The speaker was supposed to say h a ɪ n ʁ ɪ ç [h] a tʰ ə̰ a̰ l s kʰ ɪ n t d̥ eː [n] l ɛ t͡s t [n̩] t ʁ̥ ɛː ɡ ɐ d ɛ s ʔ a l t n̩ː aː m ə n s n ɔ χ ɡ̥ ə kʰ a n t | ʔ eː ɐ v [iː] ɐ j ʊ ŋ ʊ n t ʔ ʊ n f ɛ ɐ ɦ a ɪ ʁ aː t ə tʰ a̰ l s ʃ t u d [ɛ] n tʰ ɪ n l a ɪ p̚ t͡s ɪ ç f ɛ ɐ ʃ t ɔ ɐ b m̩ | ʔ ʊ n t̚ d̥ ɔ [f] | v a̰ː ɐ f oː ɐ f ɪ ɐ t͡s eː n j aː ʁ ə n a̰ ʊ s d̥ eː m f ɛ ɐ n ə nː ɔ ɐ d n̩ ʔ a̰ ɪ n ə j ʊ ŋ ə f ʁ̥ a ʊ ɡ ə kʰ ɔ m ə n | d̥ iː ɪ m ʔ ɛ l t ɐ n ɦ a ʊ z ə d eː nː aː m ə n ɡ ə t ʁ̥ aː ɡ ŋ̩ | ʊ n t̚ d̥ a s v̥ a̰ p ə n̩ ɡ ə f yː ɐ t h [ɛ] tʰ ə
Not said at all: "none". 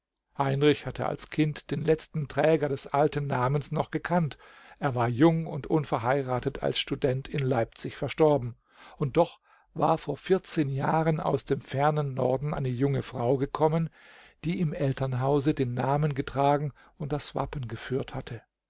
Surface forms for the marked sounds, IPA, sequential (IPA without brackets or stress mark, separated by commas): h, n, n̩, aː, ɛ, χ, a